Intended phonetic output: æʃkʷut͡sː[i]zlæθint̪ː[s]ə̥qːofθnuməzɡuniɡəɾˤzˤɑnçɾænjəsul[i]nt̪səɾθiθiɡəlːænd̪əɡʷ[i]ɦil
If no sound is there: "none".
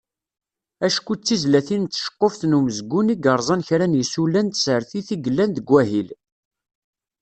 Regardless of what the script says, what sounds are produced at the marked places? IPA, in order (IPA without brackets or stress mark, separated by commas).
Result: i, ʃ, æ, æ